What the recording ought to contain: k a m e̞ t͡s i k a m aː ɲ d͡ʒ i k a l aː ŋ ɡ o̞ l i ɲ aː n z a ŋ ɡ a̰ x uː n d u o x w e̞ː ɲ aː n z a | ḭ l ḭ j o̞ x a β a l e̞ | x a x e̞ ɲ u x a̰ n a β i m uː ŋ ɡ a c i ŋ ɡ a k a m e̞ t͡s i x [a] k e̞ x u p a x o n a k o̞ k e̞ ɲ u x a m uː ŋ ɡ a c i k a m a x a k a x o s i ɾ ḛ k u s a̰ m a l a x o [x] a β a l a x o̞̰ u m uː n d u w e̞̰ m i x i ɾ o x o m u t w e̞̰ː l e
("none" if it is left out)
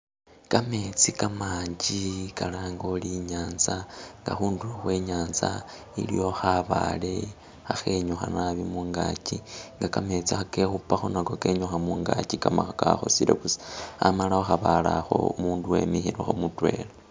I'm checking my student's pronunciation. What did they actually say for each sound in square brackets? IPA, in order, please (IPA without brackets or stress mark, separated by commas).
a, x